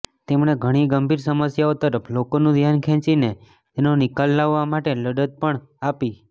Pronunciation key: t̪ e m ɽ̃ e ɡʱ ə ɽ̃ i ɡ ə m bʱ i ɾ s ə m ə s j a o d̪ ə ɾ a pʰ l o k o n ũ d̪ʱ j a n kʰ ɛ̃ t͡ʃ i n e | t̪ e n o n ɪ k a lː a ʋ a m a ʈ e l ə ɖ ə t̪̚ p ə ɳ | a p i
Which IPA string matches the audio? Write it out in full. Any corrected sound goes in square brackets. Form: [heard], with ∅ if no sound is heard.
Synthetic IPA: t̪ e m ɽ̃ e ɡʱ ə ɽ̃ i ɡ ə m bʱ i ɾ s ə m ə s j a o [t̪] ə ɾ [ə] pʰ l o k o n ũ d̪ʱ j a n kʰ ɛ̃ t͡ʃ i n e | t̪ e n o n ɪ k a lː a [ʋː] a m a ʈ e l ə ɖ ə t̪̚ p ə ɳ | a p i